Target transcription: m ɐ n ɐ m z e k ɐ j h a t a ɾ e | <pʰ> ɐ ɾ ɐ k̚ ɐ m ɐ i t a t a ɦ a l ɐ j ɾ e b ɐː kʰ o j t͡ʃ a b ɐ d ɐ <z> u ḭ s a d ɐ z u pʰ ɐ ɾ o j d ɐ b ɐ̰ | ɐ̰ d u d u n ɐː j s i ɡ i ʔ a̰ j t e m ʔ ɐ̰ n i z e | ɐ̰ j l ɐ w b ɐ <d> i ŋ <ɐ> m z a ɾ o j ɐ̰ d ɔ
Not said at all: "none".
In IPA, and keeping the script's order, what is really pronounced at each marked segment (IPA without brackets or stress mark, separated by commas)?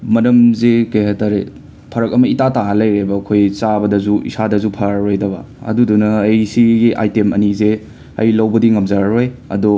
pʰ, z, d, ɐ